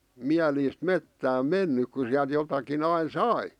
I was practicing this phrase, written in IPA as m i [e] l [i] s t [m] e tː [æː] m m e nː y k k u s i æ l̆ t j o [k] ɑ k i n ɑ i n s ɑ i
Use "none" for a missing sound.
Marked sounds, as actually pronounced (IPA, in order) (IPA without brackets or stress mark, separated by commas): æ, iː, m, æː, t